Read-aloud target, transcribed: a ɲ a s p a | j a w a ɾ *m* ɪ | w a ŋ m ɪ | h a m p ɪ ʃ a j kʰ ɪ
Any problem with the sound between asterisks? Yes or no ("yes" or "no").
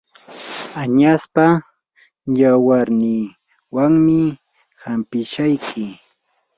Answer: yes